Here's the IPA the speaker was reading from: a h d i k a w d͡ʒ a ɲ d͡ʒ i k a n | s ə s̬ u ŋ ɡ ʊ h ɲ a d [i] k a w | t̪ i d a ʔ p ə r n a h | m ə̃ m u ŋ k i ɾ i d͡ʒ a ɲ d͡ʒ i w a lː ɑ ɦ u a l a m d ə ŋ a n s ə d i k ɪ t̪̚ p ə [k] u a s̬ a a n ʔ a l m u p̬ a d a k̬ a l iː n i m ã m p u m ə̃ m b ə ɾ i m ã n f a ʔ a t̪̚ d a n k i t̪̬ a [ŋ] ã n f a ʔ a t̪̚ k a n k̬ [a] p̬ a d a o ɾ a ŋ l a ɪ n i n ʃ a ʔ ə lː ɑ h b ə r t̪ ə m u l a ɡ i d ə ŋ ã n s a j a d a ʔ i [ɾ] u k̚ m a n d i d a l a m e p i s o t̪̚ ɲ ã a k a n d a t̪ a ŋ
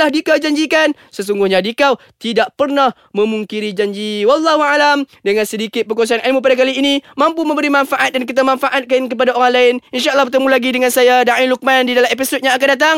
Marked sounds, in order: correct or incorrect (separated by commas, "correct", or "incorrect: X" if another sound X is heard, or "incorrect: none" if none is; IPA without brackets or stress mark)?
correct, correct, incorrect: m, incorrect: ə, incorrect: l